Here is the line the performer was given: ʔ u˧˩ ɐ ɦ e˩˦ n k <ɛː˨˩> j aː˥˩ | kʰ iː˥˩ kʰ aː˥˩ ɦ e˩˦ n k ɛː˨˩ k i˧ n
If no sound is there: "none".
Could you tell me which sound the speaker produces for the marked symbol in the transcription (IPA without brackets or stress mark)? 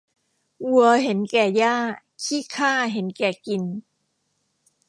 ɛː˨˩